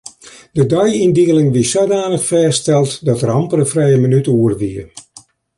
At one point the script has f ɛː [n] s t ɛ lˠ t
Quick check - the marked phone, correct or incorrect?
incorrect